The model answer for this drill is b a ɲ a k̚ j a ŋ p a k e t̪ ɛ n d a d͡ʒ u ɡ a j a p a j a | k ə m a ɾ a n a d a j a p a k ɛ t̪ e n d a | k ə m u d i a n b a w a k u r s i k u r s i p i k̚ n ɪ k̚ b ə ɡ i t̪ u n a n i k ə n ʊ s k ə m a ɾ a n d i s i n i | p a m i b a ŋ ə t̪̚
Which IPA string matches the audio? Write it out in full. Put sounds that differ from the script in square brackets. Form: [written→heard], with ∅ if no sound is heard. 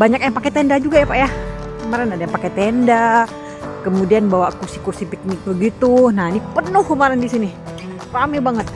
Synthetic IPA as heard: b a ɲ a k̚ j a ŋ p a k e t̪ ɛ n d a d͡ʒ u ɡ a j a p a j a | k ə m a ɾ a n a d a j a p a k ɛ t̪ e n d a | k ə m u d i a n b a w a k u r s i k u r s i p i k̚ n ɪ k̚ b ə ɡ i t̪ u n a n i [k→p] ə n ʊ [s→h] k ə m a ɾ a n d i s i n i | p a m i b a ŋ ə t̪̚